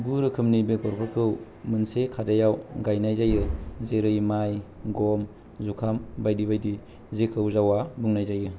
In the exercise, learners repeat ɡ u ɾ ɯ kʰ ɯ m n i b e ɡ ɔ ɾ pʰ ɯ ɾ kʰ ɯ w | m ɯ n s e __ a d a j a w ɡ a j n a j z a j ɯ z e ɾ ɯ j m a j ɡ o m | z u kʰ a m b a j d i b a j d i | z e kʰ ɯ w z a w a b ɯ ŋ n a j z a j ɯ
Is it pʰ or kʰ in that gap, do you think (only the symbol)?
kʰ